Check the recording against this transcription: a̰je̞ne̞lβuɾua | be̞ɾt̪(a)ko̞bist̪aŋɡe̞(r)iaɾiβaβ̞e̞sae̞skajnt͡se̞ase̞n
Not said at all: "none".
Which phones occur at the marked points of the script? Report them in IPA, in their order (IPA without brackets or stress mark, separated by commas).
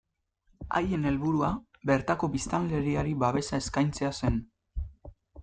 a, ɾ